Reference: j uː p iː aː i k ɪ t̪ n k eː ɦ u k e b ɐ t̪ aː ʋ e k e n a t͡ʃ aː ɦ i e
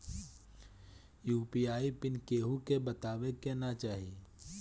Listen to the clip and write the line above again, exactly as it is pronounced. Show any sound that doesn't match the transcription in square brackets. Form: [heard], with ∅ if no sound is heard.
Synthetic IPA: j uː p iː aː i [p] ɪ [∅] n k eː ɦ u k e b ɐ t̪ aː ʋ e k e n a t͡ʃ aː ɦ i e